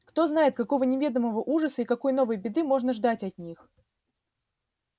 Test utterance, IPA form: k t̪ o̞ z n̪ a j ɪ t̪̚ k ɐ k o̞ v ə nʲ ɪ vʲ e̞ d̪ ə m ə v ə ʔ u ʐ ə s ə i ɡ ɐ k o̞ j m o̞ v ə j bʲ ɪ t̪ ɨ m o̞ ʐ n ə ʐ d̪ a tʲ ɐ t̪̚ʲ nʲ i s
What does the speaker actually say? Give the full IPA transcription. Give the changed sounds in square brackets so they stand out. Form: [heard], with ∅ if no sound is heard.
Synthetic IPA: k t̪ o̞ z n̪ a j ɪ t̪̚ k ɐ k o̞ v ə nʲ ɪ vʲ e̞ d̪ ə m ə v ə ʔ u ʐ ə s ə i [k] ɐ k o̞ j [n] o̞ v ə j bʲ ɪ [d̪] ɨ m o̞ ʐ n ə ʐ d̪ a tʲ ɐ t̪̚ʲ nʲ i [x]

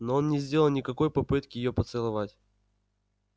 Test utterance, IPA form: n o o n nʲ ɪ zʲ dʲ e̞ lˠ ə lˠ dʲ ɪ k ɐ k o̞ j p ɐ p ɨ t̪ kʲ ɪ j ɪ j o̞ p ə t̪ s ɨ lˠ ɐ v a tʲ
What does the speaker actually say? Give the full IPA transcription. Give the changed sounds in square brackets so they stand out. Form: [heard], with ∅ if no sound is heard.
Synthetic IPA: n o o n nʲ ɪ zʲ dʲ e̞ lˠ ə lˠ [nʲ] ɪ k ɐ k o̞ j p ɐ p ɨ t̪ kʲ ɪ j ɪ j o̞ p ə t̪ s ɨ lˠ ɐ v a tʲ

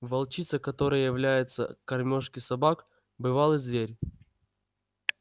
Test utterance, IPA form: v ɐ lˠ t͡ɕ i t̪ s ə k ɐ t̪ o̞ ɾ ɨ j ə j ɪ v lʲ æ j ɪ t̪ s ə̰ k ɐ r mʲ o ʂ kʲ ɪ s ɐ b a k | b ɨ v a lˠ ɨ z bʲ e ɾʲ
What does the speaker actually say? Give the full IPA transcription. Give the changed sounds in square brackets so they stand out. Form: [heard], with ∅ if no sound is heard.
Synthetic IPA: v ɐ lˠ t͡ɕ i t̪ s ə k ɐ t̪ o̞ ɾ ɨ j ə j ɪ v lʲ æ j ɪ t̪ s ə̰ k ɐ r mʲ o ʂ kʲ ɪ s ɐ b a k | b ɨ v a lˠ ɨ z [vʲ] e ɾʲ

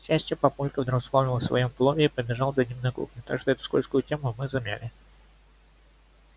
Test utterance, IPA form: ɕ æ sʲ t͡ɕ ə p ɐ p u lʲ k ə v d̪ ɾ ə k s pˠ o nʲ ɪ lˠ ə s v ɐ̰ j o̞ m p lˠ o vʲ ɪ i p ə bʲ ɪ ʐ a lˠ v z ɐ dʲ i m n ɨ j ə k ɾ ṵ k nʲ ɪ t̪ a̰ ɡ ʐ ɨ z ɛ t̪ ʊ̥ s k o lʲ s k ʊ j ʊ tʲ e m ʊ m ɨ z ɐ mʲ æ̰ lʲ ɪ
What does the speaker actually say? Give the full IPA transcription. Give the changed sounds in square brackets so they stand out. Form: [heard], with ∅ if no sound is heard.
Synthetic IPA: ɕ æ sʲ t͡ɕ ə p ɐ p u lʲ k ə v d̪ ɾ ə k s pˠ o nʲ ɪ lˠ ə s v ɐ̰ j o̞ m p lˠ o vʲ ɪ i p ə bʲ ɪ ʐ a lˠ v z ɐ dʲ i m n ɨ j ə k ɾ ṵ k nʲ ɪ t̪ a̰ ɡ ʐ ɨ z ɛ t̪ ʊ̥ s k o lʲ s k ʊ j ʊ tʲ e m ʊ m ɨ z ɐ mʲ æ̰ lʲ ɪ

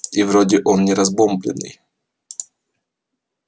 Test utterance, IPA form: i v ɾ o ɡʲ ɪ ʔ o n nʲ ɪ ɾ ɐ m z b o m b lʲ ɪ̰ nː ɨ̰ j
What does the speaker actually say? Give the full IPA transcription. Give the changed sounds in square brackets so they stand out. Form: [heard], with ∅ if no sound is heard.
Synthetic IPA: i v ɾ o [dʲ] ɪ ʔ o n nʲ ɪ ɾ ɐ [∅] z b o m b lʲ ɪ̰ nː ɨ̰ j

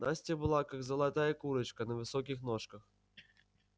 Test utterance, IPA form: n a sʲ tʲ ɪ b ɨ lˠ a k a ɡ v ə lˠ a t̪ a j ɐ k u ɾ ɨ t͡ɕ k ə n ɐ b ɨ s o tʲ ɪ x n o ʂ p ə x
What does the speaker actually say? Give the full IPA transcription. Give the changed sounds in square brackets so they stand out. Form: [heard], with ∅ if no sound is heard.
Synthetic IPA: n a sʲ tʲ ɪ b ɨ lˠ a k a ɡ [z] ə lˠ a t̪ a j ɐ k u ɾ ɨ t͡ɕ k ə n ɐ [v] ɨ s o [kʲ] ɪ x n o ʂ [k] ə x

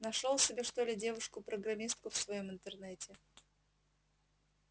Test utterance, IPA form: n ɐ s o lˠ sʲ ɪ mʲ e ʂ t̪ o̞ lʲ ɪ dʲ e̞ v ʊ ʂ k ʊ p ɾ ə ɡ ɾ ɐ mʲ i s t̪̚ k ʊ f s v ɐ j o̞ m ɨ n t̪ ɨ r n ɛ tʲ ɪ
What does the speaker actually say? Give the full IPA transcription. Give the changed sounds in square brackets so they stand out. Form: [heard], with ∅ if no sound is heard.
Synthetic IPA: n ɐ [ʂ] o lˠ sʲ ɪ [bʲ] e ʂ t̪ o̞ lʲ ɪ dʲ e̞ v ʊ ʂ k ʊ p ɾ ə ɡ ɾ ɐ mʲ i s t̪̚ k ʊ f s v ɐ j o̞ m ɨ n t̪ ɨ r n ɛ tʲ ɪ

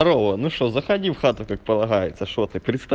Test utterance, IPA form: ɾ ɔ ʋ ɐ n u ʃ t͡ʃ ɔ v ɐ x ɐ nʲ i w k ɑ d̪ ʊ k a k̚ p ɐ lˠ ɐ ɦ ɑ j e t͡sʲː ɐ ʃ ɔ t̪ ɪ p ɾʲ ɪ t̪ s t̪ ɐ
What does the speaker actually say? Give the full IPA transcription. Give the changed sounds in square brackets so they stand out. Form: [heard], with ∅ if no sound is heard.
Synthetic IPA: ɾ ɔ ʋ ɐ n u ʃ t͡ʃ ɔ [z] ɐ x ɐ [dʲ] i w [x] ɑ [t̪] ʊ k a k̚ p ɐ lˠ ɐ ɦ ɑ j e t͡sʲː ɐ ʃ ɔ t̪ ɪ p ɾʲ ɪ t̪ s t̪ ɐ

